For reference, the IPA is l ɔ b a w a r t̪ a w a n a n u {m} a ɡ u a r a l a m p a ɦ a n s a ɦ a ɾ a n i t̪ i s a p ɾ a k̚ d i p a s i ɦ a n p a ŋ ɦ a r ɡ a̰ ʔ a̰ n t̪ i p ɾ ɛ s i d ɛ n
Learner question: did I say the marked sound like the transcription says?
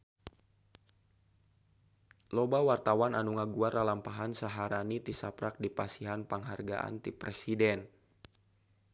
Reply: no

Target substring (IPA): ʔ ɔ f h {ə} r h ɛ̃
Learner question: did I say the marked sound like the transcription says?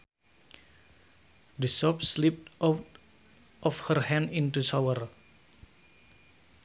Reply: yes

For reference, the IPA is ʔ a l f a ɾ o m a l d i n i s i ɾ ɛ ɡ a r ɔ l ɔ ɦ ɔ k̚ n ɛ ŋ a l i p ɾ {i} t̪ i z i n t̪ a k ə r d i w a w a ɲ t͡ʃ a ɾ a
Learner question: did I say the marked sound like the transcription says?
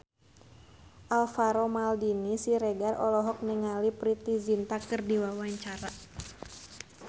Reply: yes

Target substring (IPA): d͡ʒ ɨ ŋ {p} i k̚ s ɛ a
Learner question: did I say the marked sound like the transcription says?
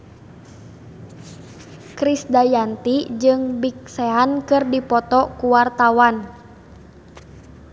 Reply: no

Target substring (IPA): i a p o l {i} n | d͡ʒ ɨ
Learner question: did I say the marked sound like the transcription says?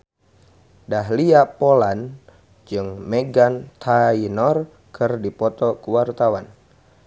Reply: no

